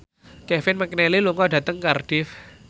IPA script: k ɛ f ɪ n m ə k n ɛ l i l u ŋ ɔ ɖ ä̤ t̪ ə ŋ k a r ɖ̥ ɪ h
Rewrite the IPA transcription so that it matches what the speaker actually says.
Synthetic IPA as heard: k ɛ f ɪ n m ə k n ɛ l i l u ŋ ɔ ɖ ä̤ t̪ ə ŋ k a r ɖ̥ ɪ f

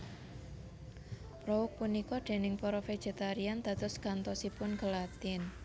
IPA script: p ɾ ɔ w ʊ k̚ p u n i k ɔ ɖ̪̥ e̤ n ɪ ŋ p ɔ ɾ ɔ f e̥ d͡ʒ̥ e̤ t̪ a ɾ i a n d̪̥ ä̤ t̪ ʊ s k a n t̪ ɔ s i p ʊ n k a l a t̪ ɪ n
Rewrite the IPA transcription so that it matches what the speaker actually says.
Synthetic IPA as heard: p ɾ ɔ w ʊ k̚ p u n i k ɔ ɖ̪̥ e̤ n ɪ ŋ p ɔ ɾ ɔ f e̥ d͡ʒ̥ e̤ t̪ a ɾ i a n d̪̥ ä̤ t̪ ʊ s k a n t̪ ɔ s i p ʊ n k ə l a t̪ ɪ n

